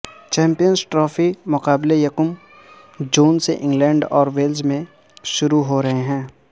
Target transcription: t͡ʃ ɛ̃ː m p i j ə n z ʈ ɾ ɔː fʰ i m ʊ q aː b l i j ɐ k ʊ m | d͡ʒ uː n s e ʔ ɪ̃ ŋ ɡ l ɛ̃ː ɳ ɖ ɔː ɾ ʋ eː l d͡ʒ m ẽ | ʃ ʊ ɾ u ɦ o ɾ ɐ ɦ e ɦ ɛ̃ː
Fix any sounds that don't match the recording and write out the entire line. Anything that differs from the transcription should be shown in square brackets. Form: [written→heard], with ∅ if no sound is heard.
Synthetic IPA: t͡ʃ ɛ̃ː m p i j ə n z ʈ ɾ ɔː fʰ i m ʊ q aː b l [i→e] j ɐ k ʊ m | d͡ʒ uː n s e ʔ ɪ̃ ŋ ɡ l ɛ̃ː ɳ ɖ ɔː ɾ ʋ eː l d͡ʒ m ẽ | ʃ ʊ ɾ u ɦ o ɾ ɐ ɦ e ɦ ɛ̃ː